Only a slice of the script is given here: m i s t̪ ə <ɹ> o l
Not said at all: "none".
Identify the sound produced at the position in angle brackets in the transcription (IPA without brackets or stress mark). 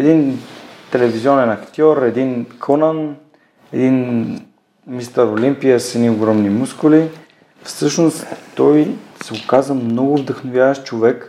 ɾ